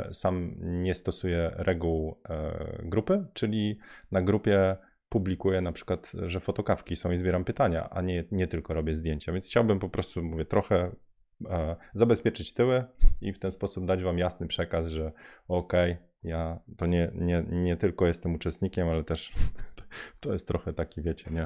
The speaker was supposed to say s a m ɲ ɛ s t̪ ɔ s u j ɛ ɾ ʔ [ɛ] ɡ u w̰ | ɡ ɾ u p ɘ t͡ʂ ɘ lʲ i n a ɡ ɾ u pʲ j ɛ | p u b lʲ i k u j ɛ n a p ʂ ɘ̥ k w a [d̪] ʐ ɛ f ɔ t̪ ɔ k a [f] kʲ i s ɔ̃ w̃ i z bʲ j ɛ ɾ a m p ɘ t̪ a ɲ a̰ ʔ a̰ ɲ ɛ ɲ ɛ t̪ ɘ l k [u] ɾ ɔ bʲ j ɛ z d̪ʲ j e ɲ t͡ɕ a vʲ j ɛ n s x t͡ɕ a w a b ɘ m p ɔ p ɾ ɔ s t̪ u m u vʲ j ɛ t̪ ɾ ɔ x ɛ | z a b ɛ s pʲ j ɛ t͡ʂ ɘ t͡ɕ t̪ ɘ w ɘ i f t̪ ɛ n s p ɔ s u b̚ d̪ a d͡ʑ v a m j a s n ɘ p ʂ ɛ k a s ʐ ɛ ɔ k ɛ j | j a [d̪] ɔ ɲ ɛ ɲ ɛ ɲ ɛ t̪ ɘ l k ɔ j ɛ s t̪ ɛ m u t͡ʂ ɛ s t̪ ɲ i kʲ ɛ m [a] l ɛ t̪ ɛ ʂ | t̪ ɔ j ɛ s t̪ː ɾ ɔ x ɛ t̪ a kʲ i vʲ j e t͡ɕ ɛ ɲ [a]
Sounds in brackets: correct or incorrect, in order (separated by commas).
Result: correct, incorrect, correct, incorrect, incorrect, correct, incorrect